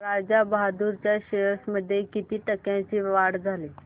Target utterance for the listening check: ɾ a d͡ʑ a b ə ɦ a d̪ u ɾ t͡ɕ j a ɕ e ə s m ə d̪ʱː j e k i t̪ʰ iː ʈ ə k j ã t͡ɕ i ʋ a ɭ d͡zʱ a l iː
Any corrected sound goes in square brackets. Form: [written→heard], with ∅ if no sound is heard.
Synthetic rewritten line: ɾ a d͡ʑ a b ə ɦ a d̪ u ɾ t͡ɕ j a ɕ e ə s m ə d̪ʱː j e k i [t̪ʰ→t̪] iː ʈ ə k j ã t͡ɕ i ʋ a [ɭ→ɽ] d͡zʱ a l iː